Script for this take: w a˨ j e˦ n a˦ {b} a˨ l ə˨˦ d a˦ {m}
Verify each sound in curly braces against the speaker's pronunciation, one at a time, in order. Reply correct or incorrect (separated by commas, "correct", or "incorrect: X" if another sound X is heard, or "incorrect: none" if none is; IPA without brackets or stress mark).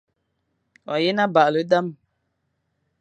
correct, correct